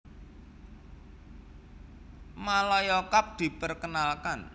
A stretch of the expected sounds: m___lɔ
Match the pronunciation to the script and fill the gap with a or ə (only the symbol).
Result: a